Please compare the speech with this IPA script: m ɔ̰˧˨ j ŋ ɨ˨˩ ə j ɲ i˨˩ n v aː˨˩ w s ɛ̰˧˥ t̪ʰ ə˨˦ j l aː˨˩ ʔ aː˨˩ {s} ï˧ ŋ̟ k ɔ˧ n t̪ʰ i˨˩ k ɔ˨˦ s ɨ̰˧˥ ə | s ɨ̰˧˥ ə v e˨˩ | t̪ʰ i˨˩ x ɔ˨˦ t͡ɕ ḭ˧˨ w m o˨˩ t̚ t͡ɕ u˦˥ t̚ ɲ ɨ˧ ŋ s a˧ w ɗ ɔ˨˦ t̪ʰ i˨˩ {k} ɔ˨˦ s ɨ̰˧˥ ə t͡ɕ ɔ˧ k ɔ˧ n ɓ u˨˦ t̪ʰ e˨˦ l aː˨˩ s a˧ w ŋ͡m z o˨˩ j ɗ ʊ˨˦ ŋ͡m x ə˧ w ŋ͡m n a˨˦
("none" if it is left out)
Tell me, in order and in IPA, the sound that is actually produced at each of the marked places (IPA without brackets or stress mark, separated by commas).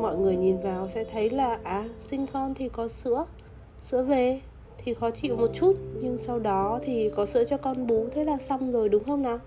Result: s, k